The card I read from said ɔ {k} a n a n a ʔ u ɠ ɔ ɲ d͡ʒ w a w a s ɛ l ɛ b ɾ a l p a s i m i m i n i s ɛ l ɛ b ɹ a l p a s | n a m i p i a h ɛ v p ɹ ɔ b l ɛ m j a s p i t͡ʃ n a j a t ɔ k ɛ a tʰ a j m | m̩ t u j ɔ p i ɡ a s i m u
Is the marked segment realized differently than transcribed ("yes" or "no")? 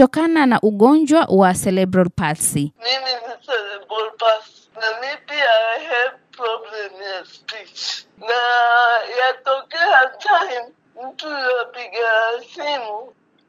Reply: no